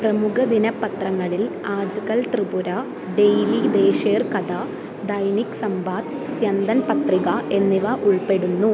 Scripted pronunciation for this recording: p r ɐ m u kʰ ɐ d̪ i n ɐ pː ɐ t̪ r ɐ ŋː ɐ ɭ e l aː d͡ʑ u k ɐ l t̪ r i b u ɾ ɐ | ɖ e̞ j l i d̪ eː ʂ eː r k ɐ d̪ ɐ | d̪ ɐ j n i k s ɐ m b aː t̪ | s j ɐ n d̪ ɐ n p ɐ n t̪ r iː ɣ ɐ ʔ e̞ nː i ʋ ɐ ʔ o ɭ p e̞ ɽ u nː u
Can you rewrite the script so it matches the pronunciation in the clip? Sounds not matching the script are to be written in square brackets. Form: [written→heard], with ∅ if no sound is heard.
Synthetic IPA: p r ɐ m u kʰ ɐ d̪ i n ɐ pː ɐ t̪ r ɐ ŋː ɐ ɭ [e→i] l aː d͡ʑ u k ɐ l t̪ r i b u ɾ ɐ | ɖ e̞ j l i d̪ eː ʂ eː r k ɐ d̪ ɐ | d̪ ɐ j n i k s ɐ m b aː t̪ | s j ɐ n d̪ ɐ n p ɐ [n→∅] t̪ r [iː→i] ɣ ɐ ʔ e̞ nː i ʋ ɐ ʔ [o→u] ɭ p e̞ ɽ u nː u